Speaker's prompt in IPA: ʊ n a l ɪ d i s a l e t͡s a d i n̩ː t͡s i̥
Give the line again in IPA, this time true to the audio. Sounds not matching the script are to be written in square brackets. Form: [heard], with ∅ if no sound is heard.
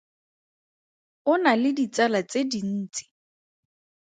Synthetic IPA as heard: ʊ n a l ɪ d i [t͡s] a l [a] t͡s [e] d i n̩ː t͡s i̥